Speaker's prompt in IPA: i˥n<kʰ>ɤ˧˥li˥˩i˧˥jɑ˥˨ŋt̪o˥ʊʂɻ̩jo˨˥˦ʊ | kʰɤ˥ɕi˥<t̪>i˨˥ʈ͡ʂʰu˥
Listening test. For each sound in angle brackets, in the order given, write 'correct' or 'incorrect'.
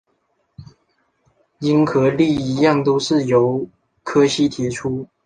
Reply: correct, incorrect

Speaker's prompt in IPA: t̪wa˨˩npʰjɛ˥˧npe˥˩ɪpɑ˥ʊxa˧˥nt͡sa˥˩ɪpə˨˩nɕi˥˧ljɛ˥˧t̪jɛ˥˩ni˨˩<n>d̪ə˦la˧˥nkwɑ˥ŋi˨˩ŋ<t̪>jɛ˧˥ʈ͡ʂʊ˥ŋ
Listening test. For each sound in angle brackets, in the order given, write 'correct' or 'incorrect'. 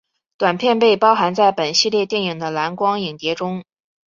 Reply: incorrect, correct

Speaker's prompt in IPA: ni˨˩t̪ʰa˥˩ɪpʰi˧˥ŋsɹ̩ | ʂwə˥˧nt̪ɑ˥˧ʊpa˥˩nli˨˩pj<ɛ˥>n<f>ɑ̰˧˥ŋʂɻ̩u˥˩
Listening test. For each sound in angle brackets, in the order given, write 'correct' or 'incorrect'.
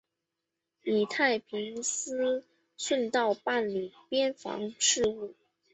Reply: correct, correct

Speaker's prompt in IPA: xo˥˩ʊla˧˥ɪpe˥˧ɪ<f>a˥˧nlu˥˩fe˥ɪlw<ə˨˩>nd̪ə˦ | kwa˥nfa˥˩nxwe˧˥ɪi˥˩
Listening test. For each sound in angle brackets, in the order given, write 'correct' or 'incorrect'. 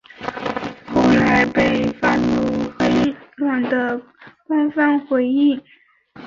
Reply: correct, incorrect

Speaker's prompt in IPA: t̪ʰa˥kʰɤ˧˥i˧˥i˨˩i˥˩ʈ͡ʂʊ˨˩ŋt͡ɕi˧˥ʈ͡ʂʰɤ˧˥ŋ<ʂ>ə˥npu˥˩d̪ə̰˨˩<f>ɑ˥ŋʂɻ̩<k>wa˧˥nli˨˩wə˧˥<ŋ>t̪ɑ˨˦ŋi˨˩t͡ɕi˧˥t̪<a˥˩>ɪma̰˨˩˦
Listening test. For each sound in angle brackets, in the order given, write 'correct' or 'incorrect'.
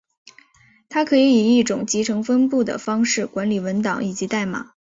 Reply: incorrect, correct, correct, incorrect, correct

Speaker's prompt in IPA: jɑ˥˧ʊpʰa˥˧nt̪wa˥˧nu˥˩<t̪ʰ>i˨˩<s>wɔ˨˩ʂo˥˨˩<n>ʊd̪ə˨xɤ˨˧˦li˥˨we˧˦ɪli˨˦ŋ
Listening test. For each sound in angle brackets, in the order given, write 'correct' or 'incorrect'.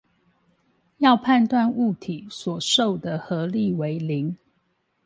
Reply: correct, correct, incorrect

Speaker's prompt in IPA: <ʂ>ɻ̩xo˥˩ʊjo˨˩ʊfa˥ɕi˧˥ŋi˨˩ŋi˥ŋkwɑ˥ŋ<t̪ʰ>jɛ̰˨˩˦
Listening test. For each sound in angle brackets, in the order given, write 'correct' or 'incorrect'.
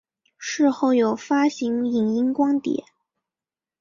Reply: correct, incorrect

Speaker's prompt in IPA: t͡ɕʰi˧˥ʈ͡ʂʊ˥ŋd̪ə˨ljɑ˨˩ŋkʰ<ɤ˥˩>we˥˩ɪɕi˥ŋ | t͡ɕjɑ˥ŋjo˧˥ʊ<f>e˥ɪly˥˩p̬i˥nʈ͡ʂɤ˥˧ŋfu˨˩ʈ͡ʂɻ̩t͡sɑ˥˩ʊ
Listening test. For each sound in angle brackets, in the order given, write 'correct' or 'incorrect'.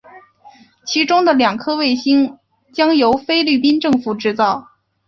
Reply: incorrect, correct

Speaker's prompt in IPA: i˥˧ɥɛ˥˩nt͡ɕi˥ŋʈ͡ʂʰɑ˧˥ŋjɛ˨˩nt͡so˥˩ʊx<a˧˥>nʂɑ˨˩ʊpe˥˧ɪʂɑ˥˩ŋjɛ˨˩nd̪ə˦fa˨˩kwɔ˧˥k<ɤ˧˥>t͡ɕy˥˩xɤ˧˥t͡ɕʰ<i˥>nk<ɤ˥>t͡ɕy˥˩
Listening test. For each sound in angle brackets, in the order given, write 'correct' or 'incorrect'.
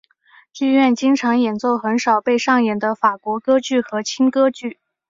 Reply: incorrect, incorrect, correct, correct

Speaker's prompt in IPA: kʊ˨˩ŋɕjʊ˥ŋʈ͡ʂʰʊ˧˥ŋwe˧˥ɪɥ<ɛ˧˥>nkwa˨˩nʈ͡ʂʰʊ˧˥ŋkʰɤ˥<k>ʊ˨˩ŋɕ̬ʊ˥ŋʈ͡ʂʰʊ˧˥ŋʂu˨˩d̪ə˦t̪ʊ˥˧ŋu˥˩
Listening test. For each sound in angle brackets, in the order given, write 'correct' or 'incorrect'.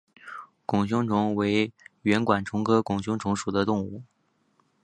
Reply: correct, correct

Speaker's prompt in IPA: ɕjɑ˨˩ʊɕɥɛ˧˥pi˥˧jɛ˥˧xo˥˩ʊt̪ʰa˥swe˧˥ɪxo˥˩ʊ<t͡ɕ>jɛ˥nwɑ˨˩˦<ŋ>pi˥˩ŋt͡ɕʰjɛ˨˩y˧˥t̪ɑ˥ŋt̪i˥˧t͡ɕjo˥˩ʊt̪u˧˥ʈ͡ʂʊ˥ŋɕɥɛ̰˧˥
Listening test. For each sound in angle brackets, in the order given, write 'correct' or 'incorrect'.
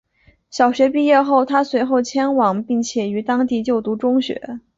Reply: incorrect, correct

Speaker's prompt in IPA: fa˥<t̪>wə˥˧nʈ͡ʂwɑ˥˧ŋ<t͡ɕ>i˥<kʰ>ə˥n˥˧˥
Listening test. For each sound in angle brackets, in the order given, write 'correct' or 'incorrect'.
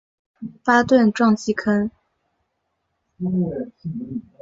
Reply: correct, correct, correct

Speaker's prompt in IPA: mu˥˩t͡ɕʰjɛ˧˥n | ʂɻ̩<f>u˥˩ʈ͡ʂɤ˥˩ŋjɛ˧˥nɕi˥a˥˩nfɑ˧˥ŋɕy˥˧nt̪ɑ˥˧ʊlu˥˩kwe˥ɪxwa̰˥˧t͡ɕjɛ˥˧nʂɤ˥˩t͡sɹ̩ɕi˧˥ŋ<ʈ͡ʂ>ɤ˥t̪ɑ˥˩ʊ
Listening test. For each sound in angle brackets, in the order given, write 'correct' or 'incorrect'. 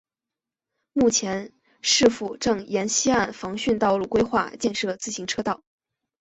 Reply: correct, incorrect

